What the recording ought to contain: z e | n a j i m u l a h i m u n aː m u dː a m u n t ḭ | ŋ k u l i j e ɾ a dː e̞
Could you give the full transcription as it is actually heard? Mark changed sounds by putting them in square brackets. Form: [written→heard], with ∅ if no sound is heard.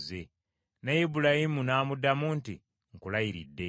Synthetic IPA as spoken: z e | n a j i [m→b] u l a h i m u n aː m u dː a m u n t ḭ | ŋ k u l [i→a] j [e→i] ɾ [a→i] dː e̞